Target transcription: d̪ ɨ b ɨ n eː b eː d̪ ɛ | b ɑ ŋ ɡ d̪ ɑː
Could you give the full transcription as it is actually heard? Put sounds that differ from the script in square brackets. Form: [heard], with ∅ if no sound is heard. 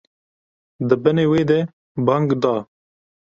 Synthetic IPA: d̪ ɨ b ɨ n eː [w] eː d̪ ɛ | b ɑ ŋ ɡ d̪ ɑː

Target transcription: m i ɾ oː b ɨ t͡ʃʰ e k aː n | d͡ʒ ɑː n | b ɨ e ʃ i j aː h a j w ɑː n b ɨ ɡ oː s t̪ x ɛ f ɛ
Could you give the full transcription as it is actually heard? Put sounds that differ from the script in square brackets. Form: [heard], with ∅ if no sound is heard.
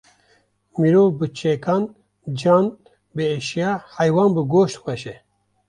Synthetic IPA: m i ɾ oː b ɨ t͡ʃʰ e k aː n | d͡ʒ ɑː n | b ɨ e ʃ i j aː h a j w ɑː n b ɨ ɡ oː [ʃ] t̪ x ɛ [ʃ] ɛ

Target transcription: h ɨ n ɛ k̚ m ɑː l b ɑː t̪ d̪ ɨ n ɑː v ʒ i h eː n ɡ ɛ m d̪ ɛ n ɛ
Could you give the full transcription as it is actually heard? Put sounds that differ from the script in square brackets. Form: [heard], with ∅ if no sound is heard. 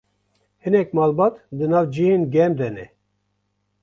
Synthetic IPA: h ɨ n ɛ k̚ m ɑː l b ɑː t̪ d̪ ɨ n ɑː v [d͡ʒ] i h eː n ɡ ɛ m d̪ ɛ n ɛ

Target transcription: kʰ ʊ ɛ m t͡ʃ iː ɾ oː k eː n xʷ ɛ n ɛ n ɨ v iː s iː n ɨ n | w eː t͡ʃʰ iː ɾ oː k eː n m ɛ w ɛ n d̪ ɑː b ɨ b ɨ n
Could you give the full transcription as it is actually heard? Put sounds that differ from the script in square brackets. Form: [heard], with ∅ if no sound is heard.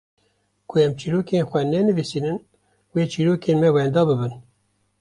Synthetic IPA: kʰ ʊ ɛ m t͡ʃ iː ɾ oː k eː n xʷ ɛ n ɛ n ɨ v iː s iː n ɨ n | w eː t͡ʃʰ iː ɾ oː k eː n m ɛ w ɛ n d̪ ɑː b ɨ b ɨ n

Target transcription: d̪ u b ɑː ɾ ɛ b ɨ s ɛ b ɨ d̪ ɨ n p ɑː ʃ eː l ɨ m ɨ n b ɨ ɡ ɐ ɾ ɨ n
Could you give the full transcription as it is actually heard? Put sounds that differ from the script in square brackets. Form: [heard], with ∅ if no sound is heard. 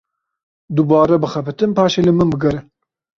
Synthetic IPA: d̪ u b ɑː ɾ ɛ b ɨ [x] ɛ [p] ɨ [t̪] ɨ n p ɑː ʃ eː l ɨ m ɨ n b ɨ ɡ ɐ ɾ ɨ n

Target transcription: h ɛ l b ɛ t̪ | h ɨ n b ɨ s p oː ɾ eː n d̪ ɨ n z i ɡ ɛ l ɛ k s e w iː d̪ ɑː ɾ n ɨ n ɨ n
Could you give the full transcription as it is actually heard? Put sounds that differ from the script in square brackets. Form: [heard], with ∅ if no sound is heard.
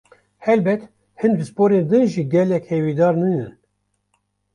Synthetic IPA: h ɛ l b ɛ t̪ | h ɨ n b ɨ s p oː ɾ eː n d̪ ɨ n [ʒ] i ɡ ɛ l ɛ k [h] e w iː d̪ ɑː ɾ n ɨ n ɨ n

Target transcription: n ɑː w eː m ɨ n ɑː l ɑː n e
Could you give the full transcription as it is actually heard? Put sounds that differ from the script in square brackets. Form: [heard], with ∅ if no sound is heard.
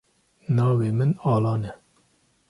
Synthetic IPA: n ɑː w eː m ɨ n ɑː l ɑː n [ɛ]

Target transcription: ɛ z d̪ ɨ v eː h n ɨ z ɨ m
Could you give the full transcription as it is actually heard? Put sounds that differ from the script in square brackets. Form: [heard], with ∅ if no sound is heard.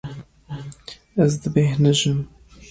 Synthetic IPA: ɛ z d̪ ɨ [b] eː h n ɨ [ʒ] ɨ m

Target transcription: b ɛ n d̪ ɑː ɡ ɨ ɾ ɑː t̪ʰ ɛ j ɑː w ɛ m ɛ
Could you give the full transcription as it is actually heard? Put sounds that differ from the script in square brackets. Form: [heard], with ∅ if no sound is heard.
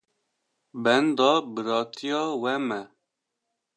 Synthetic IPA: b ɛ n d̪ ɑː [b] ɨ ɾ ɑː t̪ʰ [i] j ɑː w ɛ m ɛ

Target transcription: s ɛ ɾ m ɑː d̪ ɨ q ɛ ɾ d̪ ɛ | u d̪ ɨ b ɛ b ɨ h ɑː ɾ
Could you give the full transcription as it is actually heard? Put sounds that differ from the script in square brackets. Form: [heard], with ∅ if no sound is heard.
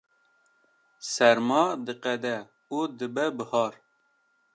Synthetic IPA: s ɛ ɾ m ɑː d̪ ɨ q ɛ [∅] d̪ ɛ | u d̪ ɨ b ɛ b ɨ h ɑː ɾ

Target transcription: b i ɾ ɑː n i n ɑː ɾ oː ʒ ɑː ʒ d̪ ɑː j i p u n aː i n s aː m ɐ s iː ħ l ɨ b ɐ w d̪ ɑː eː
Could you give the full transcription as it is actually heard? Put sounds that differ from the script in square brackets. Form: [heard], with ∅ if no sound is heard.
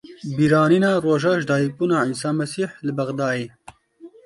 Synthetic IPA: b i ɾ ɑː n i n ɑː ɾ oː ʒ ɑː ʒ d̪ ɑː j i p u n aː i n s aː m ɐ s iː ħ l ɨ b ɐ [ɣ] d̪ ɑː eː

